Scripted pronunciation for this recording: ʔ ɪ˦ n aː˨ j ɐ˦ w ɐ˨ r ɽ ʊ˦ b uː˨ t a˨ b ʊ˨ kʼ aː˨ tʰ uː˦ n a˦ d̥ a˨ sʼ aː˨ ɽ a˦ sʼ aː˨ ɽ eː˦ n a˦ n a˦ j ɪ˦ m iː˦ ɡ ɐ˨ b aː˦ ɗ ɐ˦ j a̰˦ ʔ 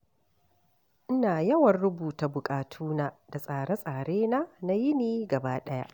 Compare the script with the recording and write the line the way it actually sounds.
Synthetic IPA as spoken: ʔ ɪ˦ n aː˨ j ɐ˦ w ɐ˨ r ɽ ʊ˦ b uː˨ t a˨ b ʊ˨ kʼ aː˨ tʰ uː˦ n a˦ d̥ a˨ sʼ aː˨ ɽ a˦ sʼ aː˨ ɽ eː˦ n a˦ n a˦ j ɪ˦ n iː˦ ɡ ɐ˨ b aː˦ ɗ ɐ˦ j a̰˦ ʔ